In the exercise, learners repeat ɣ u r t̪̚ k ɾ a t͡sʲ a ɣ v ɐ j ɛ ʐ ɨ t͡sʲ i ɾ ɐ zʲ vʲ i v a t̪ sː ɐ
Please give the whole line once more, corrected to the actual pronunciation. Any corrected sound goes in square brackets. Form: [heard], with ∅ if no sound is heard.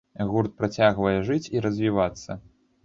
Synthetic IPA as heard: ɣ u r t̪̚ [p] ɾ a t͡sʲ a ɣ v ɐ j ɛ ʐ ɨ t͡sʲ i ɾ ɐ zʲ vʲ i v a t̪ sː ɐ